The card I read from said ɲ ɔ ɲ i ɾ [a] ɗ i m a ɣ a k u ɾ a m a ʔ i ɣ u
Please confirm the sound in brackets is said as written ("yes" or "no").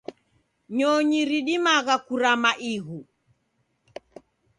no